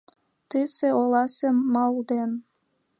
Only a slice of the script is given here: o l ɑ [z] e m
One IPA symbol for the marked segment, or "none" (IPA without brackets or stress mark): s